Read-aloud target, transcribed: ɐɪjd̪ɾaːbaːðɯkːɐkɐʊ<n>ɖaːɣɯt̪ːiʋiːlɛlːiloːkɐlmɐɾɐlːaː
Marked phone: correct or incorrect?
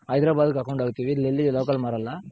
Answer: incorrect: ɳ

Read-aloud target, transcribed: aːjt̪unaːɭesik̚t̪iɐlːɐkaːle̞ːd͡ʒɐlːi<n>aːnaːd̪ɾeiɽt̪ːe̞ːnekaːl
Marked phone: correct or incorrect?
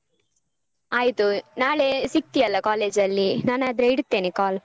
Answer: correct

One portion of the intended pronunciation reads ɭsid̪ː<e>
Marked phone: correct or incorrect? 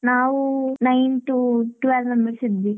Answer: incorrect: i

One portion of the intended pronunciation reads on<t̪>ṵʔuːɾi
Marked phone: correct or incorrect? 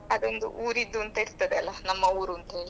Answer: incorrect: d̪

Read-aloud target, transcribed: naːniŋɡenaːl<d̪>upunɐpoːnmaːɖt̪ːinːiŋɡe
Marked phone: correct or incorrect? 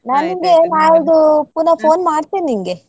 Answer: correct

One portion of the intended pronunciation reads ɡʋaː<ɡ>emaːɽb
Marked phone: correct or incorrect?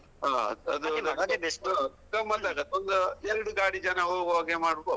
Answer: correct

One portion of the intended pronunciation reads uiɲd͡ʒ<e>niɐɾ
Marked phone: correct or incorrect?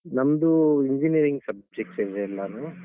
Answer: incorrect: i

